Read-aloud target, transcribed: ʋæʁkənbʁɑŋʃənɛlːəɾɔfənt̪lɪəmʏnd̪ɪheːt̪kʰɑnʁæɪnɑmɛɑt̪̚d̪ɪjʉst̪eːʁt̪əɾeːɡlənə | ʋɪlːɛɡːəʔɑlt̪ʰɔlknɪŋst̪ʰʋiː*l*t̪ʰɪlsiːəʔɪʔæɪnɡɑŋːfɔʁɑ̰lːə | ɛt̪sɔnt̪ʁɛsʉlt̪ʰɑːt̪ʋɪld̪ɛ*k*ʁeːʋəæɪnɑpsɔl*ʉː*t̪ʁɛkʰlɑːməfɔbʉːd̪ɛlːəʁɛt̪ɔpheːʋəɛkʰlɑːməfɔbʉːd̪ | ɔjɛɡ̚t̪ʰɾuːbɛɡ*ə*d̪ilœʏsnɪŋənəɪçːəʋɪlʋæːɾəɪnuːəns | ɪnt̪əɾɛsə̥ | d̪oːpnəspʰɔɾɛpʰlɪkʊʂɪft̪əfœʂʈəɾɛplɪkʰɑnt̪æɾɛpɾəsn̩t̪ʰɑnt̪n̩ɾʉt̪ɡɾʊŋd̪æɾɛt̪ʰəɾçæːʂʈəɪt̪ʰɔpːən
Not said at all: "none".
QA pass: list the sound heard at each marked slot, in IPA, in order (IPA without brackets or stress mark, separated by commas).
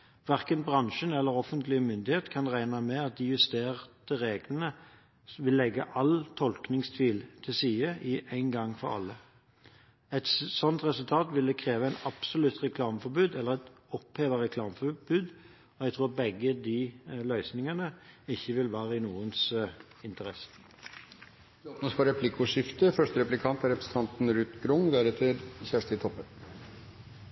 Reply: l, kʰ, ʉ, ə